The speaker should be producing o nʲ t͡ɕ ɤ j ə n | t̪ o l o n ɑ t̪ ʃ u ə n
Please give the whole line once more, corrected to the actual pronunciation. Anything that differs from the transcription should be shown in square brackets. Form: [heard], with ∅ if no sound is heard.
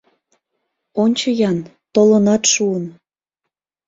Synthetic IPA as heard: o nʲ t͡ɕ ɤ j [ɑ] n | t̪ o l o n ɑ t̪ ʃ u ə n